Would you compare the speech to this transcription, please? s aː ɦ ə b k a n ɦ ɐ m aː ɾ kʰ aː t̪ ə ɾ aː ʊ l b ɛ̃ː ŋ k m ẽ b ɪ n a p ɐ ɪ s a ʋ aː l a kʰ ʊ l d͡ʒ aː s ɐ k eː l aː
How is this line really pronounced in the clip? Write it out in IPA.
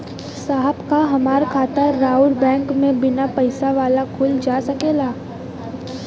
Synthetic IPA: s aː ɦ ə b k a ɦ ɐ m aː ɾ kʰ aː t̪ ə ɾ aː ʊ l b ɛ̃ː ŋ k m ẽ b ɪ n a p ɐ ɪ s a ʋ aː l a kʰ ʊ l d͡ʒ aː s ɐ k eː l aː